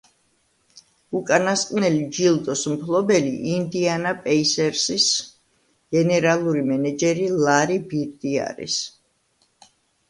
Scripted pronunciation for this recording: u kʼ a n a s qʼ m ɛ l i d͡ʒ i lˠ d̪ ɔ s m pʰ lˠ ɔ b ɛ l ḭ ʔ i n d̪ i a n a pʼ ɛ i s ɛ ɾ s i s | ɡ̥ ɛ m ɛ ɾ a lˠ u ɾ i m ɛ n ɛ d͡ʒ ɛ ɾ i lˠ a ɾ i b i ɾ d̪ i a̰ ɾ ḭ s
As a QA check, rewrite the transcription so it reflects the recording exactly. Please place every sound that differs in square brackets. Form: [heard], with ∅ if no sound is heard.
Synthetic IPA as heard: u kʼ a n a s qʼ [n] ɛ l i d͡ʒ i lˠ d̪ ɔ s m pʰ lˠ ɔ b ɛ l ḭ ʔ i n d̪ i a n a pʼ ɛ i s ɛ ɾ s i s | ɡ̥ ɛ [n] ɛ ɾ a lˠ u ɾ i m ɛ n ɛ d͡ʒ ɛ ɾ i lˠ a ɾ i b i ɾ d̪ i a̰ ɾ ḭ s